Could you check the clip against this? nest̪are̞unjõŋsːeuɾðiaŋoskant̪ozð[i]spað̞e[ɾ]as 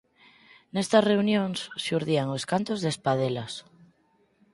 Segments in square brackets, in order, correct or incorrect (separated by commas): incorrect, incorrect